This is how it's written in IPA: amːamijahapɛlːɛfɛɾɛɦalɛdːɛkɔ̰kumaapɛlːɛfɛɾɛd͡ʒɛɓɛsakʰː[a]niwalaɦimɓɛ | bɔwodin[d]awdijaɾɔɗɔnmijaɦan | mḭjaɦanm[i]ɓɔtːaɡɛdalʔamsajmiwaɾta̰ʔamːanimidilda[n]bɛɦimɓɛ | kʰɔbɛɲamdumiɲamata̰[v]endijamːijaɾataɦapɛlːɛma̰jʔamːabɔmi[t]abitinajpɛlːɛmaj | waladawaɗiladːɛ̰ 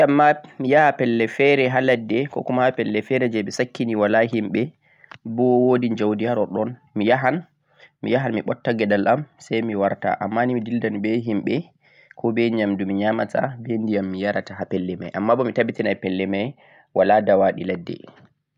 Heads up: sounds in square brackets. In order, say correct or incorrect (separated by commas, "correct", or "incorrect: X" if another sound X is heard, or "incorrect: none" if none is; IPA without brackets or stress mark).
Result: incorrect: i, incorrect: d͡ʒ, correct, correct, incorrect: b, correct